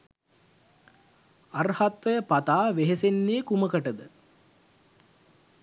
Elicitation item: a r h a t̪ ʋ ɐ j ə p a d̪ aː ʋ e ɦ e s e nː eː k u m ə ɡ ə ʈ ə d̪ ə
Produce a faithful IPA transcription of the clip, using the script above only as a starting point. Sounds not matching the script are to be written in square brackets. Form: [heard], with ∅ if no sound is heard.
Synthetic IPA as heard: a r h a t̪ ʋ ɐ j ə p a [t̪] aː ʋ e ɦ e s e nː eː k u m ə [k] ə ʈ ə d̪ ə